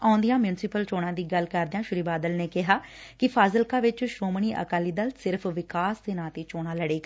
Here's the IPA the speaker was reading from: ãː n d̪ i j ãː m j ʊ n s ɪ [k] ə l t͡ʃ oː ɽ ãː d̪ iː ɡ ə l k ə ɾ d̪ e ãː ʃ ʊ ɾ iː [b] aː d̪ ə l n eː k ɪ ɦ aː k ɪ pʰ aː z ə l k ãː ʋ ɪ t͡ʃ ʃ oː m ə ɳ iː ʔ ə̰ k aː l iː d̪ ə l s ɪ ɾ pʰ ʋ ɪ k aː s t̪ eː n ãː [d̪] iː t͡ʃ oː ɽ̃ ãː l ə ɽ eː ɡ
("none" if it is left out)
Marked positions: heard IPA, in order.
p, b, t̪

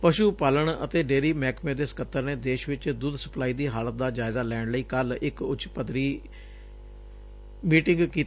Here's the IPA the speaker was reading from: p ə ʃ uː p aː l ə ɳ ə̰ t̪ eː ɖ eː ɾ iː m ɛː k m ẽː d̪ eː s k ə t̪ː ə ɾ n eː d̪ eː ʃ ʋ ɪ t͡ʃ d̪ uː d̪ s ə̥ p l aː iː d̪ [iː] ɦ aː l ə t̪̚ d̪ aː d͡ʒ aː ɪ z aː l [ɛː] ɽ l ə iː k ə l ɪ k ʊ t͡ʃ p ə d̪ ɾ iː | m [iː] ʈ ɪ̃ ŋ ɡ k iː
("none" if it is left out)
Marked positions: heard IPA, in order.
iː, ɛː, iː

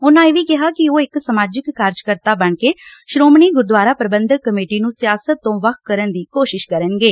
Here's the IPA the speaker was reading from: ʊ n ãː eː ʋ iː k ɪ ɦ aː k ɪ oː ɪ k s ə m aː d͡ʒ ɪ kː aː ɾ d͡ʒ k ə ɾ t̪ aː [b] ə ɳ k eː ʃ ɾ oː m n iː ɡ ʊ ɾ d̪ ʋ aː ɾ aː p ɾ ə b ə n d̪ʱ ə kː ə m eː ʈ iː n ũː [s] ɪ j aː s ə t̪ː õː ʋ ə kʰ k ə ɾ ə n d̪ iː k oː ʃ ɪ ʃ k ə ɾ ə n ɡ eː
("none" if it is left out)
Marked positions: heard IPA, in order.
b, s

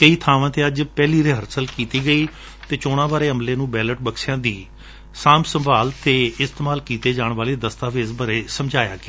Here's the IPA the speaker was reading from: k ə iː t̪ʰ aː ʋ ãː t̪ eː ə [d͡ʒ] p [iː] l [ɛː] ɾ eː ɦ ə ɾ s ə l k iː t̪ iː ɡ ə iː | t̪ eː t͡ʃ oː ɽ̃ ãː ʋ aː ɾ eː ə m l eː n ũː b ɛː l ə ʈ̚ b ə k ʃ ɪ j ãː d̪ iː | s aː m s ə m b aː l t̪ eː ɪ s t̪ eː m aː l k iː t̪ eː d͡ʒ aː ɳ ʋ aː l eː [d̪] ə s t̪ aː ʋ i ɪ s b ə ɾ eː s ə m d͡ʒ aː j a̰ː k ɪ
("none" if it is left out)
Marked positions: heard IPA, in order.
d͡ʒ, ɛː, iː, d̪

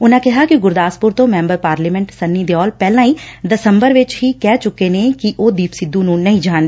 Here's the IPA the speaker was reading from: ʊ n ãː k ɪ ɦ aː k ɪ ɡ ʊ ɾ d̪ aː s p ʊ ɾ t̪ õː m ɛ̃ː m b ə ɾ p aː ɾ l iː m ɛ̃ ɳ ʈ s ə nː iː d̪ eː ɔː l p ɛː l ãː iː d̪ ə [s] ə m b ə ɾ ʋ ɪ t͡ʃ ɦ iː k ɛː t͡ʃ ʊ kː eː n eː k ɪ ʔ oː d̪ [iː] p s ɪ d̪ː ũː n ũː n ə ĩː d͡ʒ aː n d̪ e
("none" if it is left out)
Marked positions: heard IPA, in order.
s, iː

